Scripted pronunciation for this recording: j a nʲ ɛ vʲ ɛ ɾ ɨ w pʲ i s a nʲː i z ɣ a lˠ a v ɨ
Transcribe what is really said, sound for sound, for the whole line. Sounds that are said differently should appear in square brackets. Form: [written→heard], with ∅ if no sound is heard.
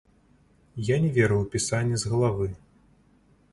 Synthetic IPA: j a nʲ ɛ vʲ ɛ ɾ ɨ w pʲ i s a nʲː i z ɣ [a→ɐ] lˠ a v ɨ